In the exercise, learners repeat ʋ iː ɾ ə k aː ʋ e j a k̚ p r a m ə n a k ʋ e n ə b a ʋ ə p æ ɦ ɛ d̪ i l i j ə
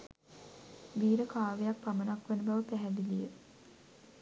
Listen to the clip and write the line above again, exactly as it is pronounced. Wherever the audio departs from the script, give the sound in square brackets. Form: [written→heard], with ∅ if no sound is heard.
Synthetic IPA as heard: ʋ iː ɾ ə k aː ʋ e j a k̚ p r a m ə n a k ʋ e n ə b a ʋ ə p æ ɦ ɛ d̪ i l i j ə